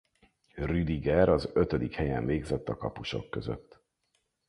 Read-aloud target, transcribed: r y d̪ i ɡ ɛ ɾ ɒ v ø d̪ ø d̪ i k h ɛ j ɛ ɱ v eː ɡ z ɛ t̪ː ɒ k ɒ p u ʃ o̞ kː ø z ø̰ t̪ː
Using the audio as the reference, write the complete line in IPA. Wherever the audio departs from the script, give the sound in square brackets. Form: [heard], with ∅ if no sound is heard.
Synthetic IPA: r y d̪ i ɡ ɛ ɾ ɒ [z] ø [t̪] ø d̪ i k h ɛ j ɛ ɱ v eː ɡ z ɛ t̪ː ɒ k ɒ p u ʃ o̞ kː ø z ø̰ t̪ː